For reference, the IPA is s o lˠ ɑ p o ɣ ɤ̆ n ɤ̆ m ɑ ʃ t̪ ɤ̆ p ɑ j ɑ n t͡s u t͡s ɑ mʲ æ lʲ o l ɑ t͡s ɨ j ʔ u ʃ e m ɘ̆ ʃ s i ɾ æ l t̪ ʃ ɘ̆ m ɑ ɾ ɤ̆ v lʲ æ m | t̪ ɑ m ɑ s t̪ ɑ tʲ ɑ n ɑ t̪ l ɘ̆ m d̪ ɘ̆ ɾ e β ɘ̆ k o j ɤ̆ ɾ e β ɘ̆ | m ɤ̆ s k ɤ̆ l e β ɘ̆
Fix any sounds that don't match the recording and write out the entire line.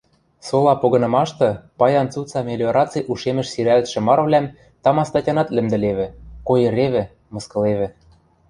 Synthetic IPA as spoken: s o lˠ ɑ p o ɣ ɤ̆ n ɤ̆ m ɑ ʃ t̪ ɤ̆ p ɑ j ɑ n t͡s u t͡s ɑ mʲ e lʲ o ɾ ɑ t͡s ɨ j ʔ u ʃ e m ɘ̆ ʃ s i ɾ æ l t̪ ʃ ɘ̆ m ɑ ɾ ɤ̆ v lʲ æ m | t̪ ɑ m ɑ s t̪ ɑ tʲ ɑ n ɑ t̪ l ɘ̆ m d̪ ɘ̆ l e β ɘ̆ k o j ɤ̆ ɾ e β ɘ̆ | m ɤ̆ s k ɤ̆ l e β ɘ̆